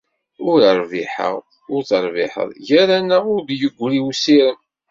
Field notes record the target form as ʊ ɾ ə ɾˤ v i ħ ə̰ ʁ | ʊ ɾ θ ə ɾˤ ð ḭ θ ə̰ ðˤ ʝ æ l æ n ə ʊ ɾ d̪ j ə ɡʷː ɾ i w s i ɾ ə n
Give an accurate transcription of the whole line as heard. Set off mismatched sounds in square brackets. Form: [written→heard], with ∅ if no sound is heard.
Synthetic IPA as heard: ʊ ɾ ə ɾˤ v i ħ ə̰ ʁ | ʊ ɾ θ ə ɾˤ [ð→v] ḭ [θ→ħ] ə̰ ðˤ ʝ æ [l→ɾ] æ n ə ʊ ɾ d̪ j ə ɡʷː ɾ i w s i ɾ ə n